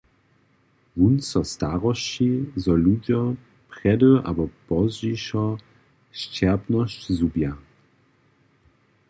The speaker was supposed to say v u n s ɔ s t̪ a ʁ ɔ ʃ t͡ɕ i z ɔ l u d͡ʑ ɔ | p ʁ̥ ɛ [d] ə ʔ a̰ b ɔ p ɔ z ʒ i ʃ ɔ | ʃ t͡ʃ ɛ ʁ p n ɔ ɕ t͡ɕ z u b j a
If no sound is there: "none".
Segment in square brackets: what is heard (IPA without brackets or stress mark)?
d